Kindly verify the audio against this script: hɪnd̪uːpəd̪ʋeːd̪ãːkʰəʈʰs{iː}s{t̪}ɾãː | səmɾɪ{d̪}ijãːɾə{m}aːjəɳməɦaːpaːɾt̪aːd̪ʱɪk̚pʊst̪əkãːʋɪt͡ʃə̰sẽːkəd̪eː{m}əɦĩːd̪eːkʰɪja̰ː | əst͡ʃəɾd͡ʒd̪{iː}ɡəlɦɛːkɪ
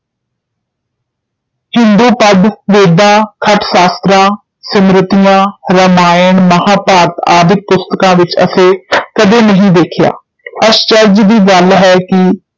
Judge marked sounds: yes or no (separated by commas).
no, yes, no, yes, no, yes